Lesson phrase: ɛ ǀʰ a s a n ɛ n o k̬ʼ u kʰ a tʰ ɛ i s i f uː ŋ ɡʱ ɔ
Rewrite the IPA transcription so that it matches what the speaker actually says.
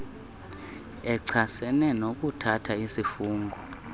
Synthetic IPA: ɛ ǀʰ a s ɛ n ɛ n o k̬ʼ u tʰ a tʰ a i s i f uː ŋ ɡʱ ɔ